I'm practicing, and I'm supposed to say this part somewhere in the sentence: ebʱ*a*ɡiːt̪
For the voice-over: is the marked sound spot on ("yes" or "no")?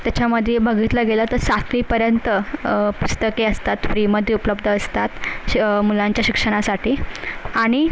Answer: no